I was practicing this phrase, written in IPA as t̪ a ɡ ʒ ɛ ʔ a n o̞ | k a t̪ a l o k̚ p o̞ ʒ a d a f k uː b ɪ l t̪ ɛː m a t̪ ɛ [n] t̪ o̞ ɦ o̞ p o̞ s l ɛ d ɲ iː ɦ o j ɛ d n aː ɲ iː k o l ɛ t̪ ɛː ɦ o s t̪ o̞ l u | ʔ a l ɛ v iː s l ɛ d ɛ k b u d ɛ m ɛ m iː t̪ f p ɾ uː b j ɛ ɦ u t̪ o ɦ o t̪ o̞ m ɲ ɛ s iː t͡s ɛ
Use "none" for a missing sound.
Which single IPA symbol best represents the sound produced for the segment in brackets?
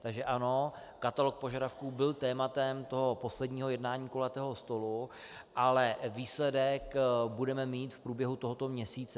m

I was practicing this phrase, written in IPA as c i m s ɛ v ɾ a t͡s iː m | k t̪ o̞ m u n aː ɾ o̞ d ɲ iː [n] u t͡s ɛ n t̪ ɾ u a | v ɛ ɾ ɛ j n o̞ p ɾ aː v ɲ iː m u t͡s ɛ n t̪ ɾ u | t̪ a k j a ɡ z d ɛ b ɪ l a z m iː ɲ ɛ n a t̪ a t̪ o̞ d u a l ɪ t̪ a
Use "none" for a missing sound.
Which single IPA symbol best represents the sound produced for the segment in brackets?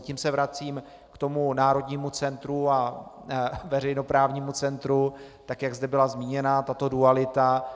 m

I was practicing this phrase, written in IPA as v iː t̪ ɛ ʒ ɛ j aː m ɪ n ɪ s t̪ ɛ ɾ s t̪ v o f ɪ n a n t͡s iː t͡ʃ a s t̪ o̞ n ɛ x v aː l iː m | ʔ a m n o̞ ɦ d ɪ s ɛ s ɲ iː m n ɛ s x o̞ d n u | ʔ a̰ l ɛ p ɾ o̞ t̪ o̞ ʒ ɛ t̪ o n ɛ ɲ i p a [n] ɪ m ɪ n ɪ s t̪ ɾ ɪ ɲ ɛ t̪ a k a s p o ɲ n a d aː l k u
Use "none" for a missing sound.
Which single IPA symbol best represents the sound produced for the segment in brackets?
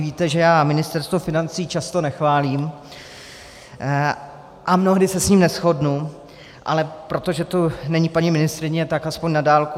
ɲ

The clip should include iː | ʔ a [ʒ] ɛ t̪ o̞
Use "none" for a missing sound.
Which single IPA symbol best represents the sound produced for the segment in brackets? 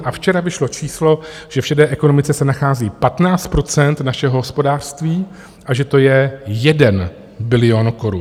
ʒ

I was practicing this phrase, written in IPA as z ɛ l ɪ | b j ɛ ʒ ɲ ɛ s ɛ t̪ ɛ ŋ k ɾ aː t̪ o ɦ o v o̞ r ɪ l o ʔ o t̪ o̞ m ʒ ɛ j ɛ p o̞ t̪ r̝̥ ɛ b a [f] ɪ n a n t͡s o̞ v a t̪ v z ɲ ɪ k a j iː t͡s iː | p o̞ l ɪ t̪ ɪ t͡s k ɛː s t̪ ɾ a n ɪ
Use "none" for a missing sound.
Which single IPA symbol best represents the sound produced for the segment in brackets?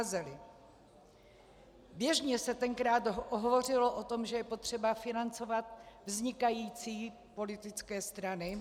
f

